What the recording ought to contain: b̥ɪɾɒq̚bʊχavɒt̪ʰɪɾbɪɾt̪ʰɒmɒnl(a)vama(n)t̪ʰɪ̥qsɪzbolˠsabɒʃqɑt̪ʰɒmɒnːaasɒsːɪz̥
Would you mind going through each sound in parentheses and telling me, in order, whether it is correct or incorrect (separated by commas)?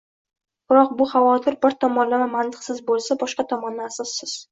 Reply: correct, correct